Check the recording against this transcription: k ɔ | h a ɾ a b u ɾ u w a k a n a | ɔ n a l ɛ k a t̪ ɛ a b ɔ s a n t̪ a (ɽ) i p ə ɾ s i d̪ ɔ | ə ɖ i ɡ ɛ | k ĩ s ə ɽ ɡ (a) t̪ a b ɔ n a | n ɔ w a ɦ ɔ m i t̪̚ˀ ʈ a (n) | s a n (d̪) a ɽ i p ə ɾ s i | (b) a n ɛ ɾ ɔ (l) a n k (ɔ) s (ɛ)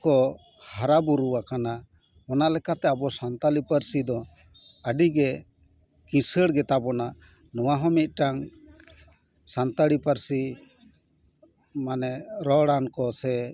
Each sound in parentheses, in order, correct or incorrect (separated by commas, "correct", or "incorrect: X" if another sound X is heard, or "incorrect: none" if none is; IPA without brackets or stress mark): incorrect: l, incorrect: ɛ, incorrect: ŋ, incorrect: t̪, incorrect: m, incorrect: ɽ, correct, correct